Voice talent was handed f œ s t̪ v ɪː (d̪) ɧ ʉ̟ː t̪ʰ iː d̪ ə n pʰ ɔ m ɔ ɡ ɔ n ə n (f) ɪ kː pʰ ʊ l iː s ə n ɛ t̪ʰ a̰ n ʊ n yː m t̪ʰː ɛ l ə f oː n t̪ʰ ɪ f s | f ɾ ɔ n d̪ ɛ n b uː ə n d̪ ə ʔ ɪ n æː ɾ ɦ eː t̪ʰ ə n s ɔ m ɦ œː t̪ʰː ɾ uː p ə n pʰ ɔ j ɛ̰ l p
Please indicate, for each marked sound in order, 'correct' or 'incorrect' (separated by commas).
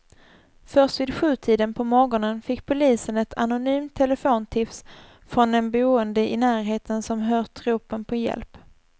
correct, correct